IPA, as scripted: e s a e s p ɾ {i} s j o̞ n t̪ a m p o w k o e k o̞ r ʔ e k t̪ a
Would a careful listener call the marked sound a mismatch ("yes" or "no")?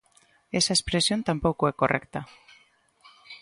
yes